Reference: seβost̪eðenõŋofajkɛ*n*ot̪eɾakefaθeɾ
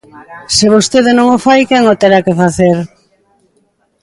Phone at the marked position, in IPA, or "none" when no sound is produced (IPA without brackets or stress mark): ŋ